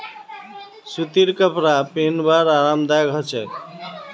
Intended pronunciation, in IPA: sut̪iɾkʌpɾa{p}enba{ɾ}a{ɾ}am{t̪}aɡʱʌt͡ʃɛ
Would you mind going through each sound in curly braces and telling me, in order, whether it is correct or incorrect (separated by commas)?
correct, correct, correct, incorrect